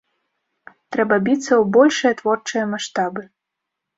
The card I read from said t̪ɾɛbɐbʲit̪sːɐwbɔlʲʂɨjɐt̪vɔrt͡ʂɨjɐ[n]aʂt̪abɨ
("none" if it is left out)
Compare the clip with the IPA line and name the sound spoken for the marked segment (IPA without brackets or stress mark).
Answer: m